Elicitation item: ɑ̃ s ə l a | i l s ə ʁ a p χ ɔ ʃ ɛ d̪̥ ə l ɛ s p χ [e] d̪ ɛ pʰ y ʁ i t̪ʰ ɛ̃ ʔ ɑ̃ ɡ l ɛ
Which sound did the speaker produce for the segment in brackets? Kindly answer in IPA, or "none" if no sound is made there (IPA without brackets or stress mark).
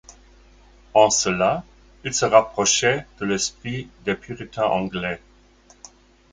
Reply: i